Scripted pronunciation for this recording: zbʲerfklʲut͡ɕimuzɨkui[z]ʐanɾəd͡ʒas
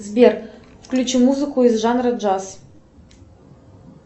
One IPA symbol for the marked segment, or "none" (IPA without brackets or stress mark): z